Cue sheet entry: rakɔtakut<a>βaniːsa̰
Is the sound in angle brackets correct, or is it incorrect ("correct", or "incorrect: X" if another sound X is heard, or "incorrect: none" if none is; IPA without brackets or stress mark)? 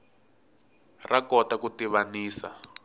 incorrect: i